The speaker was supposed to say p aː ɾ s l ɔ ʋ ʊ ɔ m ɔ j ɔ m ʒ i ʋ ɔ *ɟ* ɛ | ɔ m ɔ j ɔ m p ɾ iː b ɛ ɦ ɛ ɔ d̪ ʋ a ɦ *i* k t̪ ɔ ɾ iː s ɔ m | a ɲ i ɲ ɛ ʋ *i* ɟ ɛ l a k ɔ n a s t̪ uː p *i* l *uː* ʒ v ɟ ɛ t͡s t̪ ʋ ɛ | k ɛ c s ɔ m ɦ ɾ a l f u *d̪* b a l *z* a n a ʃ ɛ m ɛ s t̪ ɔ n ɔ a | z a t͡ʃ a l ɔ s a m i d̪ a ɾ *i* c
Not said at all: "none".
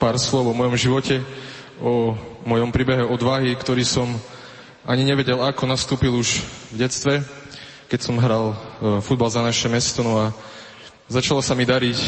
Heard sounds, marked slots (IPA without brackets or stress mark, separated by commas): c, i, ɛ, i, u, d̪, z, i